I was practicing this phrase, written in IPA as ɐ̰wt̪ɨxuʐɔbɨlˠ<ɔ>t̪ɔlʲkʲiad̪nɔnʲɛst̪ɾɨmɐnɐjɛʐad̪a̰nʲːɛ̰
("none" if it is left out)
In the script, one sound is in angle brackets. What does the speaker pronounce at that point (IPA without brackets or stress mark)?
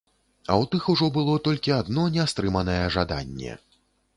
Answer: ɔ